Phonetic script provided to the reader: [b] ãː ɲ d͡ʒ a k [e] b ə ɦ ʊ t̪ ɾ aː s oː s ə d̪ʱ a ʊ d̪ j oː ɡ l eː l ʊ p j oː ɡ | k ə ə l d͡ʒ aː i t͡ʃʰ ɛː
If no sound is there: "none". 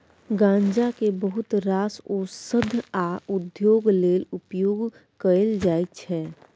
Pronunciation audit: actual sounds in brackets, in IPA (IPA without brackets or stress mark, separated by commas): ɡ, e